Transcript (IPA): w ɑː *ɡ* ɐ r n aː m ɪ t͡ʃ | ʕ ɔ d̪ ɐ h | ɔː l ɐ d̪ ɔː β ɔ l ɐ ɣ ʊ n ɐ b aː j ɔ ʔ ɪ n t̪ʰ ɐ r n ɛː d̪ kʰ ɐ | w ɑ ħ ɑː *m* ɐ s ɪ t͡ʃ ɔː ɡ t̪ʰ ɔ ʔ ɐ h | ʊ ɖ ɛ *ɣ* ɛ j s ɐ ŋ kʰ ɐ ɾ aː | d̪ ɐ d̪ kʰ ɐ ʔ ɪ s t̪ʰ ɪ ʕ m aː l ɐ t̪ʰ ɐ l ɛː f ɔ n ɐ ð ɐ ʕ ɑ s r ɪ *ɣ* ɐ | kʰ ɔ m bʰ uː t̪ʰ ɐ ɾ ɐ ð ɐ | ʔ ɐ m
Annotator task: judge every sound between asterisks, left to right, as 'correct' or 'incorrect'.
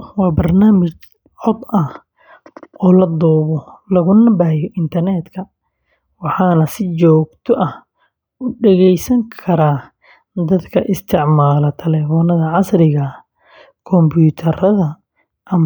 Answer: incorrect: b, incorrect: n, correct, correct

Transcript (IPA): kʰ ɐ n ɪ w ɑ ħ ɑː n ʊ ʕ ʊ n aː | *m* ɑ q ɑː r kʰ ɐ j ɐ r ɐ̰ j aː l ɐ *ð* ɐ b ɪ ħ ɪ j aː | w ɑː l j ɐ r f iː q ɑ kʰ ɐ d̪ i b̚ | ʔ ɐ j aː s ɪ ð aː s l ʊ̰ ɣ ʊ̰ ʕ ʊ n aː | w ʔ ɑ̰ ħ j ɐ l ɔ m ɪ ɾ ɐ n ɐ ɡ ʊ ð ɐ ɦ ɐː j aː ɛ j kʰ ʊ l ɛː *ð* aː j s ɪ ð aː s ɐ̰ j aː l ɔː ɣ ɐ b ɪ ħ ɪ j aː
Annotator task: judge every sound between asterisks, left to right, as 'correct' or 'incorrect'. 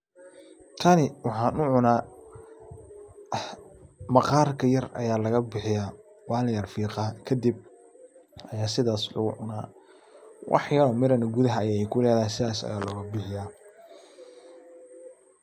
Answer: correct, incorrect: ɣ, correct

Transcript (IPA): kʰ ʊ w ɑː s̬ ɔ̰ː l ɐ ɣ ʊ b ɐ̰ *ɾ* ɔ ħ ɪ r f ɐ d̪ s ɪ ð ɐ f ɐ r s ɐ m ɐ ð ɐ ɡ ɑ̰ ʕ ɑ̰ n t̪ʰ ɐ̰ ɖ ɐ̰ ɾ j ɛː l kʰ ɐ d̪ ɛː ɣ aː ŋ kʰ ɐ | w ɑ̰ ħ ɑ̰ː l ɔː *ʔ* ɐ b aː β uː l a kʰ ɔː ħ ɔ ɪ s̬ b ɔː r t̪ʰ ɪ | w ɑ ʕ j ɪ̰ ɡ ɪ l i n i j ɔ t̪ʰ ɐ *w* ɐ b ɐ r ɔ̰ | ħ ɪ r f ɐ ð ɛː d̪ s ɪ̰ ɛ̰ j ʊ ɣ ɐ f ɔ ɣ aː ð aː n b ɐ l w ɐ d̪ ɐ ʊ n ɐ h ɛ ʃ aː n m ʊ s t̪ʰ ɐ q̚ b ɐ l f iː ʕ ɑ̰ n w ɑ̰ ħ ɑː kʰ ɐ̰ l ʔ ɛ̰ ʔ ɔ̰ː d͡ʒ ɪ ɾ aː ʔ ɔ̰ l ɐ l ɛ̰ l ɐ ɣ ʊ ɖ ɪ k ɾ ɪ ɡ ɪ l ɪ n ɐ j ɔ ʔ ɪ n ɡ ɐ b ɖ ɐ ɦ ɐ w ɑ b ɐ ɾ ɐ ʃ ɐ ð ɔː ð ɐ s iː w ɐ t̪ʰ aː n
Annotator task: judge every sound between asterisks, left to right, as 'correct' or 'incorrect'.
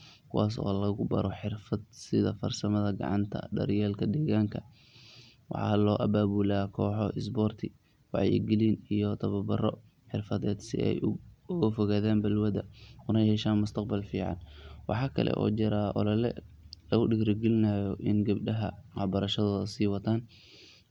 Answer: correct, correct, incorrect: β

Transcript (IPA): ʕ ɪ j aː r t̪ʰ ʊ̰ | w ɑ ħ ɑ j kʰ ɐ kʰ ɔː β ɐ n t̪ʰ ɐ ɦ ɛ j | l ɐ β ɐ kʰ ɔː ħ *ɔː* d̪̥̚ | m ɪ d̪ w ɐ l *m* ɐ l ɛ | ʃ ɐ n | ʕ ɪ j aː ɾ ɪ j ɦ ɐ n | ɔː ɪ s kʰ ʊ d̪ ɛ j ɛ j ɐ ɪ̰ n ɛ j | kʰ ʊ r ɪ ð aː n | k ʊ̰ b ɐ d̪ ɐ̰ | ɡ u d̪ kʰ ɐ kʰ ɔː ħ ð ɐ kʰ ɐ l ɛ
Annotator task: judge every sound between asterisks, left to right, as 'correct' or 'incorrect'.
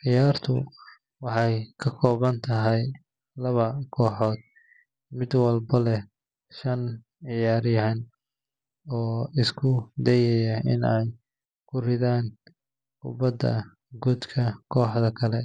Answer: correct, incorrect: b

